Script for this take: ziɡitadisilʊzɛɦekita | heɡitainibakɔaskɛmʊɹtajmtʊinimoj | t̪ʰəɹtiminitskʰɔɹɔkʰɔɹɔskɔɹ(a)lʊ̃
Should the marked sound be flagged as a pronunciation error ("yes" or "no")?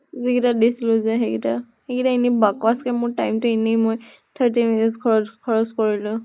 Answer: yes